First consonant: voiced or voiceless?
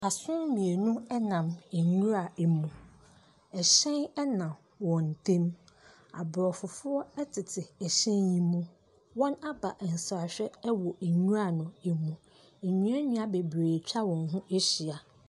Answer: voiceless